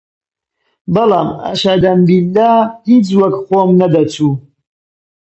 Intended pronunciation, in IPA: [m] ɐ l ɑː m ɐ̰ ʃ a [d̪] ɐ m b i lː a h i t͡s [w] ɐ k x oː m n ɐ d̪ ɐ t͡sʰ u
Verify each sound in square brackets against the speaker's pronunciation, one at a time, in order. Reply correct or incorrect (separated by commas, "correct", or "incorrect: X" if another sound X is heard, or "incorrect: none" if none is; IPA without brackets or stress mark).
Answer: incorrect: b, correct, correct